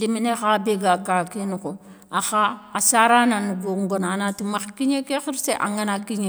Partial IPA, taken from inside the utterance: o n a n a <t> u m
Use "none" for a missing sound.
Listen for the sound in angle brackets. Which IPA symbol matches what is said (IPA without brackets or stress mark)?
t